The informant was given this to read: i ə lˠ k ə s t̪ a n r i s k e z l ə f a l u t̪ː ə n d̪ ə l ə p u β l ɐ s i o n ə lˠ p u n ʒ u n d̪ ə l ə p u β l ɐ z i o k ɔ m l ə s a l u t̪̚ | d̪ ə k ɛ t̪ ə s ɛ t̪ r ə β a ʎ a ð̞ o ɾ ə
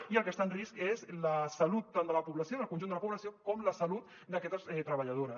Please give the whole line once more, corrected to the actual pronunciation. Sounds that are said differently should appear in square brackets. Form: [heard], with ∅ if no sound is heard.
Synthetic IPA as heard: i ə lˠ k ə s t̪ a n r i s k e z l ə [s] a l u t̪ː [a] n d̪ ə l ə p u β l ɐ s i o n ə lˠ [k] u n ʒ u n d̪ ə l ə p u β l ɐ [s] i o k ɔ m l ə s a l u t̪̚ | d̪ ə k ɛ t̪ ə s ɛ t̪ [ɾ] ə β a ʎ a ð̞ o ɾ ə

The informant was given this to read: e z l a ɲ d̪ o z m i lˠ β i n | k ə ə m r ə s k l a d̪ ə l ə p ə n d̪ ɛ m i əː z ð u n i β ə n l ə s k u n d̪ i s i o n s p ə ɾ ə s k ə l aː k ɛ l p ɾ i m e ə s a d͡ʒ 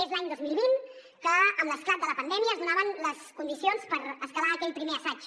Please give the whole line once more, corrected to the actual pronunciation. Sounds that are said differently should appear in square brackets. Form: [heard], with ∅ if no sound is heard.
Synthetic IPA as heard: e z l a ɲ d̪ o z m i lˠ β i n | k ə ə m [l] ə s k l a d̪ ə l ə p ə n d̪ ɛ m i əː z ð u n [a] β ə n l ə s k u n d̪ i s i o n s p ə ɾ ə s k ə l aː k ɛ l p ɾ i m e ə s a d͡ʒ

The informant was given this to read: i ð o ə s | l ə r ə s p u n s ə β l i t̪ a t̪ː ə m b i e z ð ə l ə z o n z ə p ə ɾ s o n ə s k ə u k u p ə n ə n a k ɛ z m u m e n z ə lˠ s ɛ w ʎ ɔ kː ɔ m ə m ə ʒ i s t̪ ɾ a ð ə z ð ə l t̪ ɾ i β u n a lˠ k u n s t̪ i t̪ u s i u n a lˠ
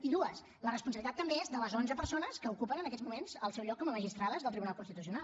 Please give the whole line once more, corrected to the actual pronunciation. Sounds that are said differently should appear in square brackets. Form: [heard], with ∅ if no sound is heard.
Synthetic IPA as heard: i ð [u] ə s | l ə r ə s p u n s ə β l i t̪ a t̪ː ə m b [e] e z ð ə l ə z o n z ə p ə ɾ s o n ə s k ə u k u p ə n ə n [ə] k ɛ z m u m e n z ə lˠ s ɛ w ʎ ɔ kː ɔ m ə m ə ʒ i s t̪ ɾ a ð ə z ð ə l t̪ ɾ i β u n a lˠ k u n s t̪ i t̪ u s i u n a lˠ

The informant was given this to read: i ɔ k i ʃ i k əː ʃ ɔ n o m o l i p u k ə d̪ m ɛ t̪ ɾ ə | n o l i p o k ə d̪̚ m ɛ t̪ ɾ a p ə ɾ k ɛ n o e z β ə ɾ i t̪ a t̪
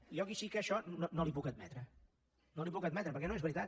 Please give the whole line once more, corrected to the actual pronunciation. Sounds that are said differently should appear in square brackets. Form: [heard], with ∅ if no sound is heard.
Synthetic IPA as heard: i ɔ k i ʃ i k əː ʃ ɔ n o [n] o l i p u k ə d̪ m ɛ t̪ ɾ ə | n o l i p [u] k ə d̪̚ m ɛ t̪ ɾ [ə] p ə ɾ k ɛ n o e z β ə ɾ i t̪ a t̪

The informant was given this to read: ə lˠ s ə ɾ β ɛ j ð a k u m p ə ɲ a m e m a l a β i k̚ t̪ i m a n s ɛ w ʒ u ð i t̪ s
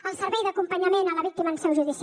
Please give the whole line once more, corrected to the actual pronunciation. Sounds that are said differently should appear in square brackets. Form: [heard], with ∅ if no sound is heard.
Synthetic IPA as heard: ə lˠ s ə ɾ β ɛ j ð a k u m p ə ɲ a m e [n] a l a β i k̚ t̪ i m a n s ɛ w ʒ u ð i [∅] s

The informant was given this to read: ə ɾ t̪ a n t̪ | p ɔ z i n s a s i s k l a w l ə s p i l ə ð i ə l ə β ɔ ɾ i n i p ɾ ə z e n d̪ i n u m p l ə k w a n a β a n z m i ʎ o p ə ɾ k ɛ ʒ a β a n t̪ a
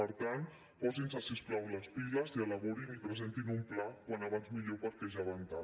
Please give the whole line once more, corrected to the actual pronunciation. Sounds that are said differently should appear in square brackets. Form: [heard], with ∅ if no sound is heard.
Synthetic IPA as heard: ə ɾ t̪ a n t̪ | p ɔ z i n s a s i s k l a w l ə s p i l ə [z] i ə l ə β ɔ ɾ i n i p ɾ ə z e n [t̪] i n u m p l [a] k w a n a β a n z m i ʎ o p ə ɾ k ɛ ʒ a β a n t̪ a

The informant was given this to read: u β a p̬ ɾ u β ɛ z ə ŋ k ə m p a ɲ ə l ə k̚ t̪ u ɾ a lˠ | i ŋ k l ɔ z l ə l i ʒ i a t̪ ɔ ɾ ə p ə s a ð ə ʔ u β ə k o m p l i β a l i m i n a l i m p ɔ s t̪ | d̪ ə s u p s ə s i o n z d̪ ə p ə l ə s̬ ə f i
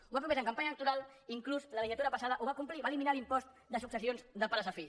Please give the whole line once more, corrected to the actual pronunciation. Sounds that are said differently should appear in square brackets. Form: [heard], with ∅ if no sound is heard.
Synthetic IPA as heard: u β a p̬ ɾ u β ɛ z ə ŋ k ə m p a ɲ ə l ə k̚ t̪ u ɾ a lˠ | i ŋ k l [u] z l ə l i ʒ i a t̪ [u] ɾ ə p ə s a ð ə ʔ u β [a] k [u] m p l i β a l i m i n a l i m p ɔ s t̪ | d̪ ə s u [k] s ə s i o n z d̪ ə p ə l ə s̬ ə f i

